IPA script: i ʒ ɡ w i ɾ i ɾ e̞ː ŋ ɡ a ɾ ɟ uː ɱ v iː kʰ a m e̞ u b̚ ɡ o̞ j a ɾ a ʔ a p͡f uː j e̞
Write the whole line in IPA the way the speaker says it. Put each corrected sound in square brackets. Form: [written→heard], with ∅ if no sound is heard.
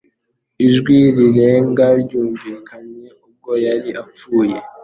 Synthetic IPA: i ʒ ɡ w i ɾ i ɾ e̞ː ŋ ɡ a ɾ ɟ uː ɱ v iː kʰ a [m→ɲ] e̞ u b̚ ɡ o̞ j a ɾ [a→i] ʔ a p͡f uː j e̞